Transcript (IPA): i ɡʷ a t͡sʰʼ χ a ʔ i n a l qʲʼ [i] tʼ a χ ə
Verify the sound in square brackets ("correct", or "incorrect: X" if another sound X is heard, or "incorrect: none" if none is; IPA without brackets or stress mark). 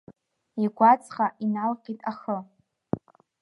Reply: correct